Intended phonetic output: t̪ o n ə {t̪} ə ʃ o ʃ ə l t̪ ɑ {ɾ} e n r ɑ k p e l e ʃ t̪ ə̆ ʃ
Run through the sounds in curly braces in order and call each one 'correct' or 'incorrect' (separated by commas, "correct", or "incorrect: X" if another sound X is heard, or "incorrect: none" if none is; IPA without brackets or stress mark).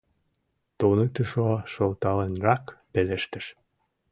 correct, incorrect: l